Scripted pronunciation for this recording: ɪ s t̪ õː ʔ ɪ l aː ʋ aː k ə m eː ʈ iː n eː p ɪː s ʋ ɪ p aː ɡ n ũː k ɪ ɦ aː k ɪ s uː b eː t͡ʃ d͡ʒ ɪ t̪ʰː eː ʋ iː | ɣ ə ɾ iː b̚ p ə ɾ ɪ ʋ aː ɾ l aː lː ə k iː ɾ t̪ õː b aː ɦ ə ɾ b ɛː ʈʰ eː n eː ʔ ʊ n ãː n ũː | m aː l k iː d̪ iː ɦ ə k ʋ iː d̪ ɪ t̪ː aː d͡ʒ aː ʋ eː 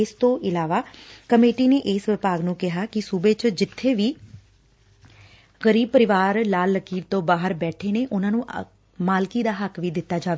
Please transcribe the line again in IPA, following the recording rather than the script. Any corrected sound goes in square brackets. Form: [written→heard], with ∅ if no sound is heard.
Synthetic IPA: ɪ s t̪ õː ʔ ɪ l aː ʋ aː k ə m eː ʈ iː n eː [p→ʔ] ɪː s ʋ ɪ p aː ɡ n ũː k ɪ ɦ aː k ɪ s uː b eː t͡ʃ d͡ʒ ɪ t̪ʰː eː ʋ iː | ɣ ə ɾ iː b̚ p ə ɾ ɪ ʋ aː ɾ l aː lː ə k iː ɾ t̪ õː b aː ɦ ə ɾ b ɛː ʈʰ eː n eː ʔ ʊ n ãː n ũː | m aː l k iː d̪ [iː→aː] ɦ ə k ʋ iː d̪ ɪ t̪ː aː d͡ʒ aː ʋ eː